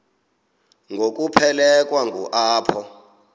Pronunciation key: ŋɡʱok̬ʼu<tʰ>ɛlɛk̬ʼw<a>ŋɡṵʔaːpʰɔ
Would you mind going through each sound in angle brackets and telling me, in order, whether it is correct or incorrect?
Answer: incorrect: pʰ, correct

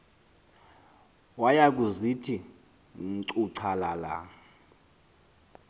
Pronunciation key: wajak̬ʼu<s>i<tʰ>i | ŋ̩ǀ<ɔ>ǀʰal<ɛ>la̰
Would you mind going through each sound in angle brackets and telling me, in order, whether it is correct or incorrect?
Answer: incorrect: z, correct, incorrect: u, incorrect: a

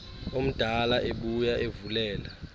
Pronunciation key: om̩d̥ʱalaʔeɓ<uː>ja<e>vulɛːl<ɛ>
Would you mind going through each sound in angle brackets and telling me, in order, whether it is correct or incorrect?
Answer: incorrect: u, correct, incorrect: a

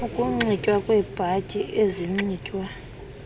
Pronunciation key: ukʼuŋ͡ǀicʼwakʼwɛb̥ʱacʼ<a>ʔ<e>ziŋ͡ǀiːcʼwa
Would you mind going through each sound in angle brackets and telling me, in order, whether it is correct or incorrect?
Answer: incorrect: i, correct

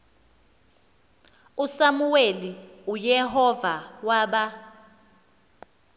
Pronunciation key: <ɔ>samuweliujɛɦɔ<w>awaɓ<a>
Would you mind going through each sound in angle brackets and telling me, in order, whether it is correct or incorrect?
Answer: incorrect: u, incorrect: v, correct

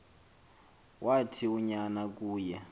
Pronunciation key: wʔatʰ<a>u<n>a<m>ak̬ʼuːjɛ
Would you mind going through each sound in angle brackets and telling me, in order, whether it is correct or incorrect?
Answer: incorrect: i, incorrect: ɲ, incorrect: n

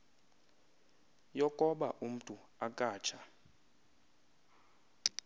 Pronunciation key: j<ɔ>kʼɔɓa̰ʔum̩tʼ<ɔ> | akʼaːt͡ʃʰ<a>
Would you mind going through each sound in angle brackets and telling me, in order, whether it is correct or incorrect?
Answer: correct, incorrect: u, correct

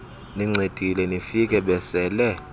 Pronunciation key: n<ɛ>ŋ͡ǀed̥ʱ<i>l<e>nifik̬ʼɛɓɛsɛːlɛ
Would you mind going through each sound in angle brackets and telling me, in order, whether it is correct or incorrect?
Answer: incorrect: i, correct, incorrect: ɛ

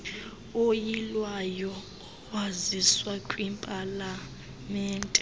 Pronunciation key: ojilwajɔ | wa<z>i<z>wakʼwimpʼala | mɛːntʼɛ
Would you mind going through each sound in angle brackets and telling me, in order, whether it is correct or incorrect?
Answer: correct, incorrect: s

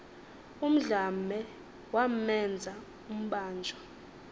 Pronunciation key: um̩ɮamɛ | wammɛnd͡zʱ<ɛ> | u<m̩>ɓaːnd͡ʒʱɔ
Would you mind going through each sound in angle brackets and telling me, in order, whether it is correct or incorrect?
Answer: incorrect: a, correct

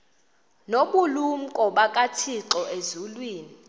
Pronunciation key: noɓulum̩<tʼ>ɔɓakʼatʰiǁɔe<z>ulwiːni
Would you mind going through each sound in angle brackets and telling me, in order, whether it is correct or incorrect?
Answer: incorrect: kʼ, correct

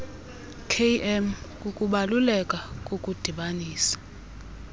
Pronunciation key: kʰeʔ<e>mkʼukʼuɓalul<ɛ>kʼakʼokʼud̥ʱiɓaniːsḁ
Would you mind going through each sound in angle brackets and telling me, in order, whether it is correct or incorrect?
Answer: incorrect: ɛ, correct

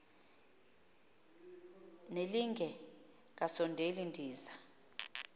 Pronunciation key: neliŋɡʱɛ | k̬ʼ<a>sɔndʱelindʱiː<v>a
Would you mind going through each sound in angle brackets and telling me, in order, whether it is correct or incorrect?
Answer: correct, incorrect: z

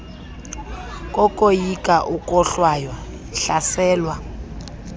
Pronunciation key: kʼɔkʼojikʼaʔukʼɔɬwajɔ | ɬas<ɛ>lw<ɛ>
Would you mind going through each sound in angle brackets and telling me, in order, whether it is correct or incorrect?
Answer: incorrect: ɛː, incorrect: a

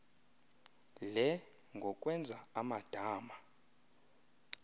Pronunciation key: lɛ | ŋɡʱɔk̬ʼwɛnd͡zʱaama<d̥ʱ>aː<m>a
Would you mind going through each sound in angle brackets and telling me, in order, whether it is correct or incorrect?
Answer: correct, correct

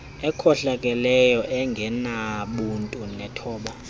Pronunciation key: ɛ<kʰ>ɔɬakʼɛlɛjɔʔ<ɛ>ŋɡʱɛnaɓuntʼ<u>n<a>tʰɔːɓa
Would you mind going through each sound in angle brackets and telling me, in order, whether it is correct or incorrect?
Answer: correct, correct, correct, incorrect: ɛ

